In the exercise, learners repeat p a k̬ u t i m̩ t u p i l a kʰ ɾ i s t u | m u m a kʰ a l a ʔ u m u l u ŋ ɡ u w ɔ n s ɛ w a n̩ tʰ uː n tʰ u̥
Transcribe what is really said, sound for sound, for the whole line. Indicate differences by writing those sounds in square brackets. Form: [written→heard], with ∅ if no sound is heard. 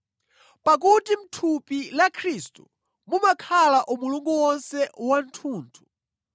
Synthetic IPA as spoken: p a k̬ u t i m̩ [t→tʰ] u p i l a kʰ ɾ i s t u | m u m a kʰ a l a ʔ u m u l u ŋ ɡ u w ɔ n s ɛ w a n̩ tʰ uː n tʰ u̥